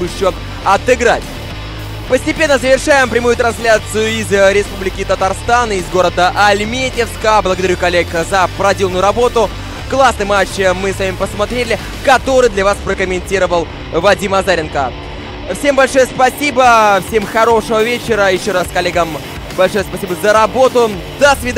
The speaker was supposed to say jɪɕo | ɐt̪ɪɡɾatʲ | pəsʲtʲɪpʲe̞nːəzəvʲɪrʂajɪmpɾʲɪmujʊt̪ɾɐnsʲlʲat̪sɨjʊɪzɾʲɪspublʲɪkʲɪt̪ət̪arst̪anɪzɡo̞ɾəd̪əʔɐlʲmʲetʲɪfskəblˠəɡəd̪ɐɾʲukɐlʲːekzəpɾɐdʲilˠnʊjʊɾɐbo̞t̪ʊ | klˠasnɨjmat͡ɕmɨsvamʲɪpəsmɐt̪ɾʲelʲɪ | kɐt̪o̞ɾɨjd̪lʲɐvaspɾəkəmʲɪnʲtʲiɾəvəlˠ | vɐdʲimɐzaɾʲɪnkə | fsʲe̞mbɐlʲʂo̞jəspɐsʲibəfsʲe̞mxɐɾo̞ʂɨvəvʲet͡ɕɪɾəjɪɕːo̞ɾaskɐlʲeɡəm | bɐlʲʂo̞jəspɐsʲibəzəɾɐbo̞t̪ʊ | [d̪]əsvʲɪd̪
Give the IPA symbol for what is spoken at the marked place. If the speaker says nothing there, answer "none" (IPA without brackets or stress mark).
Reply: d̪